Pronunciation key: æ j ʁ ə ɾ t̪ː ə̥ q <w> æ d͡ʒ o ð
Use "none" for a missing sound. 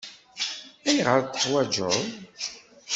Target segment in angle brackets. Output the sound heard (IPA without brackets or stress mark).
w